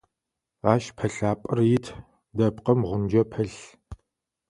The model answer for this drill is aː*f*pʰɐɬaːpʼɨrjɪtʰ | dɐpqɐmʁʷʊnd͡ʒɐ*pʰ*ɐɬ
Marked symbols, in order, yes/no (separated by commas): no, yes